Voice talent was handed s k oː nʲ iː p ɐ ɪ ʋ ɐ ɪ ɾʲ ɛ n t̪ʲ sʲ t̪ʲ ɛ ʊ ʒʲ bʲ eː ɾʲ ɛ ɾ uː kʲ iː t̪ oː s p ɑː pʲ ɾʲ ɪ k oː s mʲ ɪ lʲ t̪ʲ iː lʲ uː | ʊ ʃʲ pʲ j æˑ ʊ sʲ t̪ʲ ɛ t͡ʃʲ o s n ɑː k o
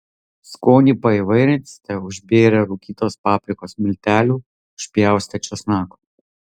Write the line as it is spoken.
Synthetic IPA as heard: s k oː nʲ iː p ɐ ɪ ʋ ɐ ɪ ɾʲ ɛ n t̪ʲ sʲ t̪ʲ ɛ ʊ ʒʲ bʲ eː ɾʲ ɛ ɾ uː kʲ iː t̪ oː s p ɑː pʲ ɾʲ ɪ k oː s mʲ ɪ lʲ t̪ʲ æː lʲ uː | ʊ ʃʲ pʲ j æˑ ʊ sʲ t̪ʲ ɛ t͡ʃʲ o s n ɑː k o